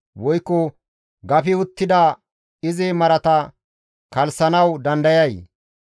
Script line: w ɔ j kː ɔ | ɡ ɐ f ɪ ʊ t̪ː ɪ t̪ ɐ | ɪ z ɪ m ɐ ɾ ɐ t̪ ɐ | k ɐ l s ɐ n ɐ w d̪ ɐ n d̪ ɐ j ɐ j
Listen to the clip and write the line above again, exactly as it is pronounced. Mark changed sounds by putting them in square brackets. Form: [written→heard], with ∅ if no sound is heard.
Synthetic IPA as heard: w ɔ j kː ɔ | ɡ ɐ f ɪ ʊ t̪ː ɪ [t̪→d̪] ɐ | ɪ z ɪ m ɐ ɾ ɐ t̪ ɐ | k ɐ l s ɐ n ɐ w d̪ ɐ n d̪ ɐ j ɐ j